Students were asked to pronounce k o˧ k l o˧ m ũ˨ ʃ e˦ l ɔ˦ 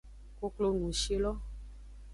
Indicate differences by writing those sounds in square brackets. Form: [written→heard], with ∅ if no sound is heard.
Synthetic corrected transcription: k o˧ k l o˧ [m→n] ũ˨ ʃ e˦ l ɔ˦